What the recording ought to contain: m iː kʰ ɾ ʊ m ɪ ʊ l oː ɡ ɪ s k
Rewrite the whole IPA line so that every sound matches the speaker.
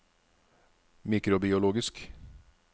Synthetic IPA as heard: m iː k ɾ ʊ b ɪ ʊ l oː ɡ ɪ s k